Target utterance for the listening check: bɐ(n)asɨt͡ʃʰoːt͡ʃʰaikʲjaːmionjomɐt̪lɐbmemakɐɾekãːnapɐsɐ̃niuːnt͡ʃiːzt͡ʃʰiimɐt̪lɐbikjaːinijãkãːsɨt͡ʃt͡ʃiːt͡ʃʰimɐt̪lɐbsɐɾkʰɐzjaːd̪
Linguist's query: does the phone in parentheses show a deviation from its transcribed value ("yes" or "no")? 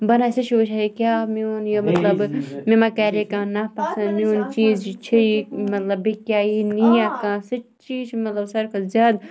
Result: no